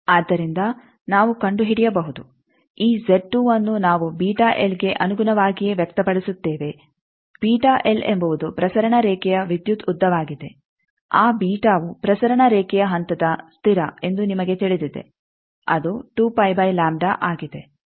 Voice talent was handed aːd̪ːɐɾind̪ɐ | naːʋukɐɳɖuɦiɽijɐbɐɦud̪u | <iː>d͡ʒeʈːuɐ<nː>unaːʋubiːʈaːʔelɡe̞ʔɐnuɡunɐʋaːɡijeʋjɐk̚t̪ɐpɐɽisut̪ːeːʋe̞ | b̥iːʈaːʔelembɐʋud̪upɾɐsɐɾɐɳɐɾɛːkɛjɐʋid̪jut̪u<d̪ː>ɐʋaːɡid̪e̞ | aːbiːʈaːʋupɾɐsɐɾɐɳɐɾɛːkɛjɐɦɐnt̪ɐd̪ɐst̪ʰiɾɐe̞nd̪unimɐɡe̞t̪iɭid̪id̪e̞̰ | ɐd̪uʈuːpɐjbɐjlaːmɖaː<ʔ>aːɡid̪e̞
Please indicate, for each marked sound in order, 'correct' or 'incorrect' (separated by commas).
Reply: correct, correct, correct, correct